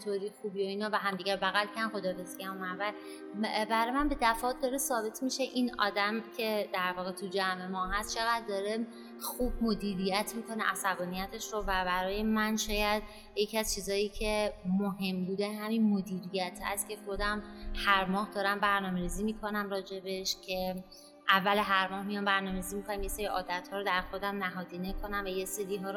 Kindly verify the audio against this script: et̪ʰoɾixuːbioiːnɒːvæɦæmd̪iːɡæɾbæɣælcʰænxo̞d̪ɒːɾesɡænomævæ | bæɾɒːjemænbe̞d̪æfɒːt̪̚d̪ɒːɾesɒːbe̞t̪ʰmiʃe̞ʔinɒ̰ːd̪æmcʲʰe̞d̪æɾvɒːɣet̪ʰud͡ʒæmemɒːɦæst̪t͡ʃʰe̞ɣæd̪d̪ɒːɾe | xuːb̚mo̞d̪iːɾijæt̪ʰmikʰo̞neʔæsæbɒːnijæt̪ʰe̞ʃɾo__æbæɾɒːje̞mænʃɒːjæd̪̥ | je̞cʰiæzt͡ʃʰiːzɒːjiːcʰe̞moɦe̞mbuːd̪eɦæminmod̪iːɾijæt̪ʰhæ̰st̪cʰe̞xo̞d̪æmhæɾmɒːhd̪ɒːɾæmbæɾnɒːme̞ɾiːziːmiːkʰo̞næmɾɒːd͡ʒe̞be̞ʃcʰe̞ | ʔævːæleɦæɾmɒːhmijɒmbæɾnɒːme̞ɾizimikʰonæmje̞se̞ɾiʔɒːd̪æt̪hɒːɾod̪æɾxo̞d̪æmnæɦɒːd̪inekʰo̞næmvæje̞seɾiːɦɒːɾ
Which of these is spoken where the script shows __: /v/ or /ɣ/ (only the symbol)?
v